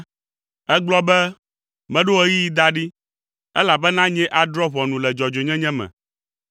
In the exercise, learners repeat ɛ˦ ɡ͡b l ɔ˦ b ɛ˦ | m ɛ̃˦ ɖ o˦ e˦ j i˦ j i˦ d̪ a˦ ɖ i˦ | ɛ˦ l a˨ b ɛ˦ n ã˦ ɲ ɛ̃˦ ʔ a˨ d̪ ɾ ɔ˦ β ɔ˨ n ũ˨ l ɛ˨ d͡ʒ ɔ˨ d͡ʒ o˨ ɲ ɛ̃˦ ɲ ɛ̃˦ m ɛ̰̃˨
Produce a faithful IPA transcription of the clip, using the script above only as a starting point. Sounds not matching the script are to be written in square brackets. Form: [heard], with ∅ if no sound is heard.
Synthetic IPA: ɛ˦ ɡ͡b l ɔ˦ b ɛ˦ | m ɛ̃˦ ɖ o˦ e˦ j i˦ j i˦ d̪ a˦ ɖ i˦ | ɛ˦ l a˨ b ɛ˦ n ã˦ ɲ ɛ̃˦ ʔ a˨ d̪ ɾ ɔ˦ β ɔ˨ n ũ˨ l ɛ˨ d͡ʒ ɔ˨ d͡ʒ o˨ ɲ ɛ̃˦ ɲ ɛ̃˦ m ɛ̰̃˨